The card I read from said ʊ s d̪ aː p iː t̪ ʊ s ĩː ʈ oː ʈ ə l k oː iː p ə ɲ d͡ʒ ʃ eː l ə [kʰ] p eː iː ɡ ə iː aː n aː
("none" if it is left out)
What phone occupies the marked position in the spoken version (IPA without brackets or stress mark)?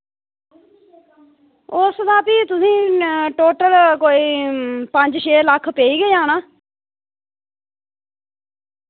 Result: kʰ